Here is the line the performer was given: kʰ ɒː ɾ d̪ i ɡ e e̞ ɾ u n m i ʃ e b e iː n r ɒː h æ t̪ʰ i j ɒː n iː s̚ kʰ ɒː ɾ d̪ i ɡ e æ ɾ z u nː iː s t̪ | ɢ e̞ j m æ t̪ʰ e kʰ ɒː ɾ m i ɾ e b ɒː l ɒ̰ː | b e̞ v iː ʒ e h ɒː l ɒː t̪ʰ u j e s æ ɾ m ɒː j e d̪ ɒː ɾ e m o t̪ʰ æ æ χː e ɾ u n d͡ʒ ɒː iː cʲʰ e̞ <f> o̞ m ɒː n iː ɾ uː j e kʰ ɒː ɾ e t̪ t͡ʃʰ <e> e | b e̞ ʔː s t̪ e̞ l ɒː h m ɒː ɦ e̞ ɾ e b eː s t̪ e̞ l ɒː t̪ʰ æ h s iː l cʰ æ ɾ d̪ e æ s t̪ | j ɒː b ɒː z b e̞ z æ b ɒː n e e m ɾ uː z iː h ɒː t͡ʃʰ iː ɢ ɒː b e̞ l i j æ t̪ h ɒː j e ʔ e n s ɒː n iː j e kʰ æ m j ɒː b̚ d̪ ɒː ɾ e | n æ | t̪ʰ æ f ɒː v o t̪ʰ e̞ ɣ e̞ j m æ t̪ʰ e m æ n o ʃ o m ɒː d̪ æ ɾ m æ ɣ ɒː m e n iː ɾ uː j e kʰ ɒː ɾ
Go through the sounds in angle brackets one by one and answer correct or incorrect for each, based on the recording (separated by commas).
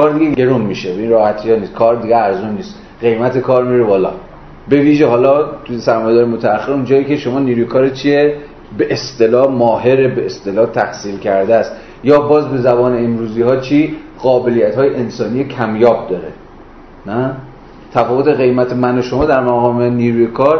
incorrect, incorrect